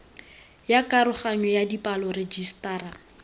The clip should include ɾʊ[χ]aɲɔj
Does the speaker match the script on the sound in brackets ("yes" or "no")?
yes